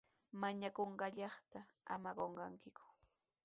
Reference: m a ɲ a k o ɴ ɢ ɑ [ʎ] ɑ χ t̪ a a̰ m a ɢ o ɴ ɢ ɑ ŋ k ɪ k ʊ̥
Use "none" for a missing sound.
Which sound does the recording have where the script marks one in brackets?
ʎ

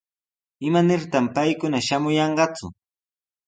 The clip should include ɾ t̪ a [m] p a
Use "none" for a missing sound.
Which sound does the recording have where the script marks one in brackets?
m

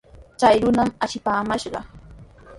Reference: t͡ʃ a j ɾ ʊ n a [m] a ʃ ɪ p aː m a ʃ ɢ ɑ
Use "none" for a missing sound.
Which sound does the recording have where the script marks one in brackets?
m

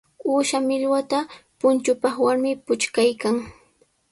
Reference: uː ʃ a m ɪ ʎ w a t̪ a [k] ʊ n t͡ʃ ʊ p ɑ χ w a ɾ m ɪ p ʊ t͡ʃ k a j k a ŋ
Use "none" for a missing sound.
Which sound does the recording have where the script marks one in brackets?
p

